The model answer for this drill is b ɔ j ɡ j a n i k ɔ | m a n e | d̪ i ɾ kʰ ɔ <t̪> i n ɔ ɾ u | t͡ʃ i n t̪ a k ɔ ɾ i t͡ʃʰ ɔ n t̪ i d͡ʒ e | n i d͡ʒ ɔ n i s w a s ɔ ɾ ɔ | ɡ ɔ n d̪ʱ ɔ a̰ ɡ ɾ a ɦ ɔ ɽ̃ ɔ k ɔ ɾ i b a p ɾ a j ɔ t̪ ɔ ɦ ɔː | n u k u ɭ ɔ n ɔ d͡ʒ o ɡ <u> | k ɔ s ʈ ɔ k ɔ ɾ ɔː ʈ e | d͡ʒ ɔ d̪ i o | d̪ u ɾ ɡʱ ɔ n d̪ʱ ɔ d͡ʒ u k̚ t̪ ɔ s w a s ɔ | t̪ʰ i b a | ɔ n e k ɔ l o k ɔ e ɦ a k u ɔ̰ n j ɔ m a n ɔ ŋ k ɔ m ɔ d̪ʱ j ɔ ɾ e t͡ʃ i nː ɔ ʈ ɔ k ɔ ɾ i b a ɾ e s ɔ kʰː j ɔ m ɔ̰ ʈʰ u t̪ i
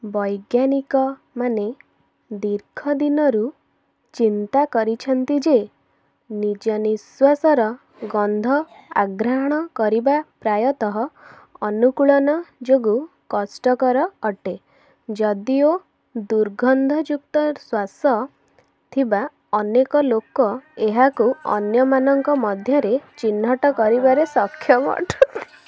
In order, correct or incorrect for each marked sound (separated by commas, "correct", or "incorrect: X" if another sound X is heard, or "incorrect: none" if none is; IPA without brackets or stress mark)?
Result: incorrect: d̪, correct